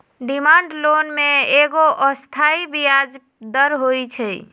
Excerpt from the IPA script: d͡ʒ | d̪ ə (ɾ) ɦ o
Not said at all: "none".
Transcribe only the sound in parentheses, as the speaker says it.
ɾ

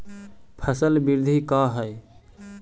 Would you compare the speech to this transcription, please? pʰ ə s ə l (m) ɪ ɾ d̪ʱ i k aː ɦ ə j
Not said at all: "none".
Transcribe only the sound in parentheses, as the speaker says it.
b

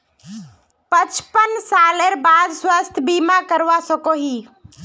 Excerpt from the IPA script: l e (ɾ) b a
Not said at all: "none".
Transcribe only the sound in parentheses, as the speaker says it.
ɾ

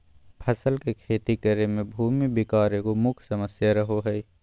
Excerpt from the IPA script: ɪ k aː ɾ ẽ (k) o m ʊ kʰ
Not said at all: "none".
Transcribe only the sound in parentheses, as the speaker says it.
k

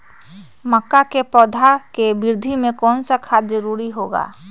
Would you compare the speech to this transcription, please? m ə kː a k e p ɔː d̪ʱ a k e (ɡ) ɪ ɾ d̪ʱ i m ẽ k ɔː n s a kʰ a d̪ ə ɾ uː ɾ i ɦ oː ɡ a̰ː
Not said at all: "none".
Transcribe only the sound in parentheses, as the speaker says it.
b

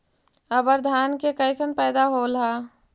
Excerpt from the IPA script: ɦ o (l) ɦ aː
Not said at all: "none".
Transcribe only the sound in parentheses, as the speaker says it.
l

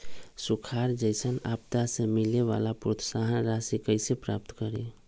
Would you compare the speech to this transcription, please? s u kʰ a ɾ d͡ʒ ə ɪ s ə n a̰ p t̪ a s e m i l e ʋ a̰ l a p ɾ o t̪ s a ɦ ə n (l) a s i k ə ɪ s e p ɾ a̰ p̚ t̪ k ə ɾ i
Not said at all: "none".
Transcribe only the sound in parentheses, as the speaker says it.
ɾ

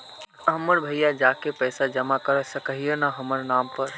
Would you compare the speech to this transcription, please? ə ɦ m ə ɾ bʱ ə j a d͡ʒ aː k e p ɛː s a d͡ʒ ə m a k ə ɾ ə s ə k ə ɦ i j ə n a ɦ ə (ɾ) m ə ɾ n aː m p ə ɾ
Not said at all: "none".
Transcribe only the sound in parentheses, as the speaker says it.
none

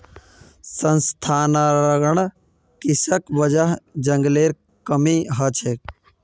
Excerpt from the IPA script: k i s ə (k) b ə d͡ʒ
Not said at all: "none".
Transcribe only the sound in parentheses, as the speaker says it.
k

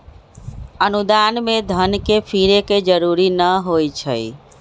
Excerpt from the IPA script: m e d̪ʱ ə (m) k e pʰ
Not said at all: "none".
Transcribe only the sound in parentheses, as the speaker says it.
n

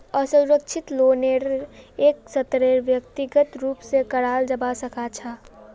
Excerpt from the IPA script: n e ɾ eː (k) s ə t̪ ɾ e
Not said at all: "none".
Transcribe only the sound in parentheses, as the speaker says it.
k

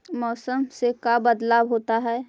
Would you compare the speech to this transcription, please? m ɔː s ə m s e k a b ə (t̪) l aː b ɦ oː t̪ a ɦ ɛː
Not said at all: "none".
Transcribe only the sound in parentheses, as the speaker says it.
d̪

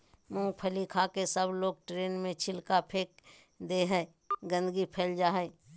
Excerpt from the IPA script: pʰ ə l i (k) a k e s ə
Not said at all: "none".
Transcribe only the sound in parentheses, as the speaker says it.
kʰ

